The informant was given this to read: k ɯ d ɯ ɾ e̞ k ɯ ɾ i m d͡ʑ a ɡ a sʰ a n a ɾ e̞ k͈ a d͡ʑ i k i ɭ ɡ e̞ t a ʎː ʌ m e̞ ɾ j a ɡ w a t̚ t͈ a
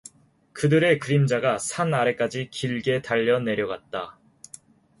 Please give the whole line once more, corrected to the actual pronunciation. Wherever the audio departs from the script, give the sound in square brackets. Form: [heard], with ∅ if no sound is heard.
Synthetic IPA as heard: k ɯ d ɯ ɾ e̞ k ɯ ɾ i m d͡ʑ a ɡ a sʰ a n a ɾ e̞ k͈ a d͡ʑ i k i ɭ ɡ e̞ t a ʎː ʌ [n] e̞ ɾ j [ʌ] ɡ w a t̚ t͈ a